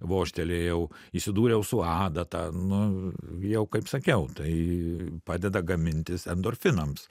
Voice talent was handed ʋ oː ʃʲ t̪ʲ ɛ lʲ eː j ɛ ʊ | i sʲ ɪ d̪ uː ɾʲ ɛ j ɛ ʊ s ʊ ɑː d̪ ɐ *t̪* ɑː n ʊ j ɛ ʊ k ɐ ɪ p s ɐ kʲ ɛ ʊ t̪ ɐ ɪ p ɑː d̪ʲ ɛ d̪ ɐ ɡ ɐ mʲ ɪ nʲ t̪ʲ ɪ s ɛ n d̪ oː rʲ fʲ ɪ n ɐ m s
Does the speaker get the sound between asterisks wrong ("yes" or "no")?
no